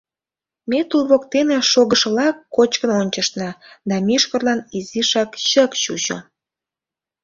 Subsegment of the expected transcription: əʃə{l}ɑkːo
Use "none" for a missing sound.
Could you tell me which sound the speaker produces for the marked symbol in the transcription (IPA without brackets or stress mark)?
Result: l